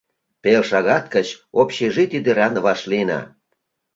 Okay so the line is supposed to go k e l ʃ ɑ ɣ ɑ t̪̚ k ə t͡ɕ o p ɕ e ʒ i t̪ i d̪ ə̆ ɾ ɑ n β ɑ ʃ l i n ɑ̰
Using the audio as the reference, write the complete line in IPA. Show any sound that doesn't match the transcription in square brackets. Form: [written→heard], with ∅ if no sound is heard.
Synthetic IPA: [k→p] e l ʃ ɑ ɣ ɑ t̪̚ k ə t͡ɕ o p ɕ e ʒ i t̪ i d̪ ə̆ ɾ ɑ n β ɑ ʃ l i n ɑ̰